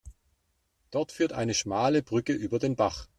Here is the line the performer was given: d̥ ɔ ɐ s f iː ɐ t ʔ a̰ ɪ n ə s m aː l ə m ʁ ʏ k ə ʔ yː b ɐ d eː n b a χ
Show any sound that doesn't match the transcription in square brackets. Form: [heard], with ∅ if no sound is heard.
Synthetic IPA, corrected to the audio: d̥ ɔ ɐ [t] f [yː] ɐ t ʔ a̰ ɪ n ə [ʃ] m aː l ə [b] ʁ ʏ k ə ʔ yː b ɐ d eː n b a χ